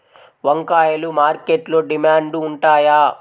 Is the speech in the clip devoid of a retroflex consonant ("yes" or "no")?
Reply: no